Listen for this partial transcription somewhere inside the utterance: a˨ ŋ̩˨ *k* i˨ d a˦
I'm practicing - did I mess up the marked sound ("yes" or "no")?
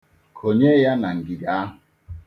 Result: yes